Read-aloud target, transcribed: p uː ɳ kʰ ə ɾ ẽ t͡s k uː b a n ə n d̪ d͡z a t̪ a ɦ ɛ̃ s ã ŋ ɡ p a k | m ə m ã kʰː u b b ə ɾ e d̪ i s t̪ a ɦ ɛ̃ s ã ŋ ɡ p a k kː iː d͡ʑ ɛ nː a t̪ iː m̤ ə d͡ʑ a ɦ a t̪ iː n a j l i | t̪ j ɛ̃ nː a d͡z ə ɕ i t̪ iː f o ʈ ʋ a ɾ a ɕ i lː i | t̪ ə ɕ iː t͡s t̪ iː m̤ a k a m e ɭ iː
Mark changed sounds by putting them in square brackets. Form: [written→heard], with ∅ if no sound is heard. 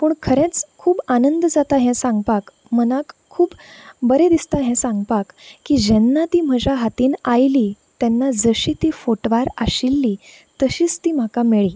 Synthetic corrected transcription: p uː ɳ kʰ ə ɾ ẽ t͡s [k→kʰ] uː b a n ə n d̪ d͡z a t̪ a ɦ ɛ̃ s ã ŋ ɡ p a k | m ə [m→n] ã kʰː [u→uː] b b ə ɾ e d̪ i s t̪ a ɦ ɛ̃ s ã ŋ ɡ p a k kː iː d͡ʑ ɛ nː a t̪ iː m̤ ə d͡ʑ a ɦ a t̪ iː n a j l i | t̪ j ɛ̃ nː a d͡z ə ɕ i t̪ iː f o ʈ ʋ a ɾ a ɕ i lː i | t̪ ə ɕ iː t͡s t̪ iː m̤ a k a m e ɭ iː